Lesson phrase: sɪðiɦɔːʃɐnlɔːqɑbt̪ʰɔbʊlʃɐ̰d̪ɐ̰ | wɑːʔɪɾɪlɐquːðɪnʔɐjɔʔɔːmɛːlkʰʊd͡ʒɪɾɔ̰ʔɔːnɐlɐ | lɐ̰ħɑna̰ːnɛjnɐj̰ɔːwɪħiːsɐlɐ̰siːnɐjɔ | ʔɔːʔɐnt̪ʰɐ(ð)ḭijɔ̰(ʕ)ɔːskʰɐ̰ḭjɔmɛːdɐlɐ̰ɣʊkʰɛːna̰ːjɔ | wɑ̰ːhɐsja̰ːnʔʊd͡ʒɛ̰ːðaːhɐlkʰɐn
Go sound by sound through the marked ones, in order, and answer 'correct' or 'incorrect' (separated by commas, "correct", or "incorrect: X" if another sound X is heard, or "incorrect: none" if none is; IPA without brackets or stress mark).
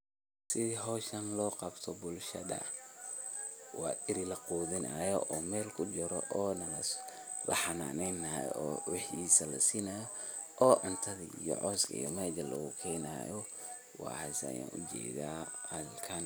correct, correct